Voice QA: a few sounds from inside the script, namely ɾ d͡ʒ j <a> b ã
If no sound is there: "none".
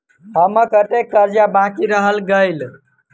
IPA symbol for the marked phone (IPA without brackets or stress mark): a